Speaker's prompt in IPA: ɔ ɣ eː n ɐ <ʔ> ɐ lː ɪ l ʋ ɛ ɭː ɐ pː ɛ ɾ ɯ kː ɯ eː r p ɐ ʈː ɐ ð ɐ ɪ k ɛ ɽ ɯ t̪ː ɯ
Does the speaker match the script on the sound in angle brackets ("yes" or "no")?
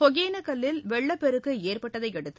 no